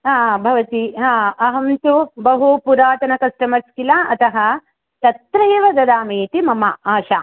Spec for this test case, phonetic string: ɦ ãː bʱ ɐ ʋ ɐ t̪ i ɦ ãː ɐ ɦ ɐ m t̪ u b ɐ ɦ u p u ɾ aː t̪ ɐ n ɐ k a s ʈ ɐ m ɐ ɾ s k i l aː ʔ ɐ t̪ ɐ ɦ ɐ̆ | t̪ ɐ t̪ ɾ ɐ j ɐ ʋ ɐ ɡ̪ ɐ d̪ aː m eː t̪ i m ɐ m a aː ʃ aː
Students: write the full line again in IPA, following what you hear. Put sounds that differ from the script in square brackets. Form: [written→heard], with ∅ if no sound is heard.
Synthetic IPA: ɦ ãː bʱ ɐ ʋ ɐ t̪ i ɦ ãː ɐ ɦ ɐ m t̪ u b ɐ ɦ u p u ɾ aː t̪ ɐ n ɐ k [a→ɐ] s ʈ ɐ m ɐ ɾ s k i l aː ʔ ɐ t̪ ɐ ɦ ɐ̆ | t̪ ɐ t̪ ɾ ɐ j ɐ ʋ ɐ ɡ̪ ɐ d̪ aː m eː t̪ i m ɐ m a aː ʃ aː